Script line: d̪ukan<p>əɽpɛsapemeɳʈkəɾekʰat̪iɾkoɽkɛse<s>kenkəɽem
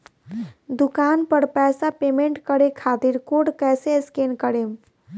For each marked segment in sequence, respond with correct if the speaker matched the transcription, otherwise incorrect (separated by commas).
correct, correct